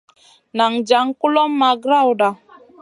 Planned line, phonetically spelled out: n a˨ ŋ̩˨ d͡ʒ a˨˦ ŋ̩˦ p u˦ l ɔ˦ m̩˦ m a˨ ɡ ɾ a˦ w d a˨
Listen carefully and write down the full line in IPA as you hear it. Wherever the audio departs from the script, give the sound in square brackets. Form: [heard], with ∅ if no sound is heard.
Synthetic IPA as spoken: n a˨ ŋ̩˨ d͡ʒ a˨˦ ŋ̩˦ [k] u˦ l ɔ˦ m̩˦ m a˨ ɡ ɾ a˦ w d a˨